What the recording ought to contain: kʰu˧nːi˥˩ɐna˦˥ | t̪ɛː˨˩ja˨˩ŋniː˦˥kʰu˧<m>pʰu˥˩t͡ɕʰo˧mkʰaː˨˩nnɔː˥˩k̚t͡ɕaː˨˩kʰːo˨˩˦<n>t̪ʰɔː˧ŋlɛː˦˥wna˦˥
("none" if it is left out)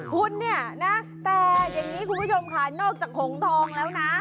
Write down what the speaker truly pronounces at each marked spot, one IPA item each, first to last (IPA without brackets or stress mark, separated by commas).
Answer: n, ŋ